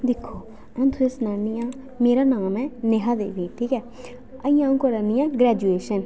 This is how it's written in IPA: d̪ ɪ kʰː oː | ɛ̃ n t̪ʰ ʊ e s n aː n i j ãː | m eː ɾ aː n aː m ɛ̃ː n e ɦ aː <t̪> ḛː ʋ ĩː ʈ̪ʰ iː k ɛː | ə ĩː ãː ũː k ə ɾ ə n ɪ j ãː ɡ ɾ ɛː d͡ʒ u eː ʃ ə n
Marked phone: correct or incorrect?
incorrect